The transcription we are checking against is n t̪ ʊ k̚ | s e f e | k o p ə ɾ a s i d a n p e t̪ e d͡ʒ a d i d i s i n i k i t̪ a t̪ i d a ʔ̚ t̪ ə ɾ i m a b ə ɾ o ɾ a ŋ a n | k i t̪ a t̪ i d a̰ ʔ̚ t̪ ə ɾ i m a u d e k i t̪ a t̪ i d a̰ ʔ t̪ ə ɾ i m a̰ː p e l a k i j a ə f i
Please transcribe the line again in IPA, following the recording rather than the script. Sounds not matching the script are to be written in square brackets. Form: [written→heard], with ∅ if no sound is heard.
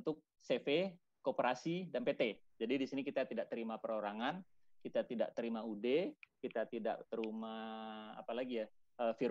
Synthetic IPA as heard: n t̪ ʊ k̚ | s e f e | k o p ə ɾ a s i d a n p e t̪ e d͡ʒ a d i d i s i n i k i t̪ a t̪ i d a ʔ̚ t̪ ə ɾ i m a [b→p] ə ɾ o ɾ a ŋ a n | k i t̪ a t̪ i d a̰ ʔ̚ t̪ ə ɾ i m a u d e k i t̪ a t̪ i d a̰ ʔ t̪ ə ɾ i m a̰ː p [e→a] l a [k→ɡ] i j a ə f i